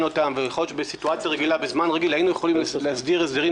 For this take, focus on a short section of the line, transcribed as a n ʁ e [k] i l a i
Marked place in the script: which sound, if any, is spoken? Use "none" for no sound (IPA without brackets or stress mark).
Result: ɡ